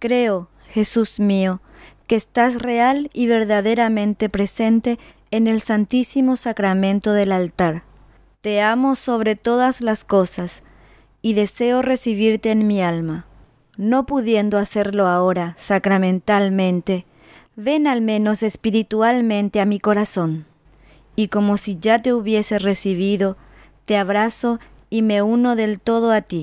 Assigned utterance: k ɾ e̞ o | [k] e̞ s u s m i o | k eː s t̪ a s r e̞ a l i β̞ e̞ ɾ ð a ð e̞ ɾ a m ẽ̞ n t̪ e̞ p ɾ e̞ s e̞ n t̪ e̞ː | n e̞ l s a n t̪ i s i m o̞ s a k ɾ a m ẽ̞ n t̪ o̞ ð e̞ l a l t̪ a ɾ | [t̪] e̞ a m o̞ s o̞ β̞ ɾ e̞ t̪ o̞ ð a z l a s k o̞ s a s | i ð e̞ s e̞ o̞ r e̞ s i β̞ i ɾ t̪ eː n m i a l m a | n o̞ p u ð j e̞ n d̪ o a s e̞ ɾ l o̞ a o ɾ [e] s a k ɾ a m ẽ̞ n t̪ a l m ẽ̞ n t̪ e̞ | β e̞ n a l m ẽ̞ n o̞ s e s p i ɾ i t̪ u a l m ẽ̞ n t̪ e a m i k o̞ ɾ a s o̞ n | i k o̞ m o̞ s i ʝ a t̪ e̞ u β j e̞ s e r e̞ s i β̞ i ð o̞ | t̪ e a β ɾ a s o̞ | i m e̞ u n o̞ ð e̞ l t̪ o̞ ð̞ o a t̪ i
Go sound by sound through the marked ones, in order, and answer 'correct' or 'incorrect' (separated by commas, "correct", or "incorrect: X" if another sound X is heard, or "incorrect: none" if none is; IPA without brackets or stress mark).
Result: incorrect: x, correct, incorrect: a